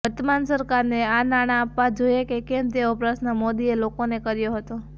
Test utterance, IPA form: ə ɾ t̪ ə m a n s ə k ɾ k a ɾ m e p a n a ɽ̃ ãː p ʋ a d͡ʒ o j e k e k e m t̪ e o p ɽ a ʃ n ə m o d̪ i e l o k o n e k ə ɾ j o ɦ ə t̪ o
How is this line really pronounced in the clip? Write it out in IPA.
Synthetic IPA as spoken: ə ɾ t̪ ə m a n s ə ɾ k a ɾ n e a n a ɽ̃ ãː p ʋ a d͡ʒ o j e k e k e m t̪ e o p ɾ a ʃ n ə m o d̪ i e l o k o n e k ə ɾ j o ɦ ə t̪ o